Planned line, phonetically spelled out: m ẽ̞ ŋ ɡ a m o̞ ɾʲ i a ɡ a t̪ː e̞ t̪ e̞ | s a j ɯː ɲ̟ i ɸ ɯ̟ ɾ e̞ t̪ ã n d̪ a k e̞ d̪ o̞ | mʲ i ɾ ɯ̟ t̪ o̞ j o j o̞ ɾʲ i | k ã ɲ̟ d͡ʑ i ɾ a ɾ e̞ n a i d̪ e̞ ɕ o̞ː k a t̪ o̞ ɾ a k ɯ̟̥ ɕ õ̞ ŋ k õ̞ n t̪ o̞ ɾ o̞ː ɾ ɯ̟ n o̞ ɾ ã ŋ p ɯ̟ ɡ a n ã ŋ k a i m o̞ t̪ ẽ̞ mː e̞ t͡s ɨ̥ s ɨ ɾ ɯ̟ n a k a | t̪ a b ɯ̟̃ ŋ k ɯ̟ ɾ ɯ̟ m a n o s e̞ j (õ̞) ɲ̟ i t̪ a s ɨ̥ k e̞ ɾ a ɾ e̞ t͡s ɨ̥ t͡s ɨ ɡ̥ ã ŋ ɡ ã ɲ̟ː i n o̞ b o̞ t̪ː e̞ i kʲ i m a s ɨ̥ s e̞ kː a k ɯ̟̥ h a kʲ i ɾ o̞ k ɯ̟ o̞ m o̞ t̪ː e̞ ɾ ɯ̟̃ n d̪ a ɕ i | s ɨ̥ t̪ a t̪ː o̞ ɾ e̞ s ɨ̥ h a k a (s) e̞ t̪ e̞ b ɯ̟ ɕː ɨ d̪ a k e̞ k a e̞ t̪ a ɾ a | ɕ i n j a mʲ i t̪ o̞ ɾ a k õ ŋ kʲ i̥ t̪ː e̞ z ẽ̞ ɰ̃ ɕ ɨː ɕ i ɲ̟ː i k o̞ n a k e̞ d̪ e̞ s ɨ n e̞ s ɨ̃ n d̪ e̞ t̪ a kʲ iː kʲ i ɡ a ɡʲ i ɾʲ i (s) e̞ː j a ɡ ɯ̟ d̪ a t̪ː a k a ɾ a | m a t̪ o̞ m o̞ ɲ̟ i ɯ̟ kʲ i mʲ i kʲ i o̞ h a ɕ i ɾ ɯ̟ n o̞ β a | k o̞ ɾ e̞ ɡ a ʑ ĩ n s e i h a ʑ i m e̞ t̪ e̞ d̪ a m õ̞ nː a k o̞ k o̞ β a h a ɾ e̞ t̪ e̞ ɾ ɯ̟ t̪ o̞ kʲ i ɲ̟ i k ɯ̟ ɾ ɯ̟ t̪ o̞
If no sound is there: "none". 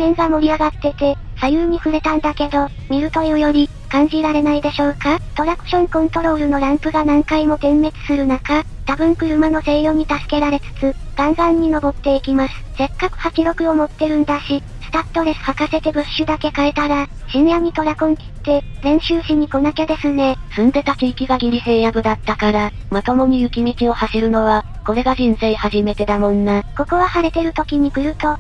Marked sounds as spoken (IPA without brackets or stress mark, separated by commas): o̞, s, s